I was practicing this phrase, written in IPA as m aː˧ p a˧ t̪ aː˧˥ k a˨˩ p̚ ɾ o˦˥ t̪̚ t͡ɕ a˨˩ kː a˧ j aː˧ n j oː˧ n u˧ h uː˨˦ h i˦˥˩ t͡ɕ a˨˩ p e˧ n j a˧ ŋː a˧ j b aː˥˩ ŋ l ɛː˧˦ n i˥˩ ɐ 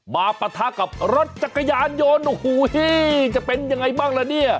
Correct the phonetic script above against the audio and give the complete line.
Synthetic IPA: m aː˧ p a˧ t̪ʰ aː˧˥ k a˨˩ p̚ ɾ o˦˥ t̪̚ t͡ɕ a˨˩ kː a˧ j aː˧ n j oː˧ n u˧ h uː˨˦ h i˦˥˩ t͡ɕ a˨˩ p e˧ n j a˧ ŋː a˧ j b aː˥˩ ŋ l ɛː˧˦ n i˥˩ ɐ